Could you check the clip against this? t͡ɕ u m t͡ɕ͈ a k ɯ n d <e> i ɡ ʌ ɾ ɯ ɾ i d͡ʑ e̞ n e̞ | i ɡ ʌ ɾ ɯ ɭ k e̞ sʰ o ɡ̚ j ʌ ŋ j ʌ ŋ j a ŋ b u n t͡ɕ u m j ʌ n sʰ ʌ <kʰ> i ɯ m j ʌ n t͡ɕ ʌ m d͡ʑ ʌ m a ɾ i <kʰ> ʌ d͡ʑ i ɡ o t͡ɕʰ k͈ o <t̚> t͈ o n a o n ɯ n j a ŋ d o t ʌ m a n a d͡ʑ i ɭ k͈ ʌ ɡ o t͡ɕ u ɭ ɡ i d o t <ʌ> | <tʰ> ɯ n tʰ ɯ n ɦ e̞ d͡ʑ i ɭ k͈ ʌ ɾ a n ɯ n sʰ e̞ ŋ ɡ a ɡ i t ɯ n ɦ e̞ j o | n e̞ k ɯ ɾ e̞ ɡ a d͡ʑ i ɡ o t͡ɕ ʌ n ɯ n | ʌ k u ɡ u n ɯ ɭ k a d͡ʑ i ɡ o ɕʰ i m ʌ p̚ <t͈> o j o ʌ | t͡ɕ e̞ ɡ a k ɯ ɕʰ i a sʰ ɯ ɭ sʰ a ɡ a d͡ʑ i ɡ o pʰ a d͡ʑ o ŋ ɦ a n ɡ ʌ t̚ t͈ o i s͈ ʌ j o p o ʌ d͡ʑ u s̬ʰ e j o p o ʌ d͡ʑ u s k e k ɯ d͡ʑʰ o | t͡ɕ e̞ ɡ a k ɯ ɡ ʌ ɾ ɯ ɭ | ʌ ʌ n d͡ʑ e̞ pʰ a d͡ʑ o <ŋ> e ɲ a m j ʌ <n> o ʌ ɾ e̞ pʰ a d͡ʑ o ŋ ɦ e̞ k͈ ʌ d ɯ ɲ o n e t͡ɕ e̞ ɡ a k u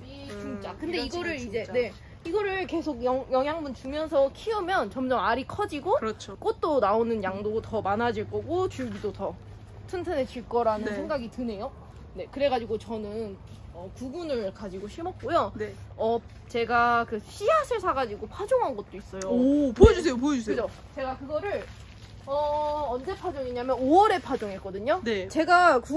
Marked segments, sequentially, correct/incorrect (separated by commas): correct, correct, correct, correct, correct, correct, incorrect, correct, correct